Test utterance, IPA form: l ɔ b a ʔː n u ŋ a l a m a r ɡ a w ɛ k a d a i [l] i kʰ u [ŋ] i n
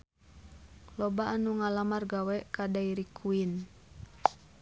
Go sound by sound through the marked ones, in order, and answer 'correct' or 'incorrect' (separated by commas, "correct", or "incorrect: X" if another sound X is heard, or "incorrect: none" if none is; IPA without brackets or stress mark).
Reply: incorrect: ɾ, incorrect: none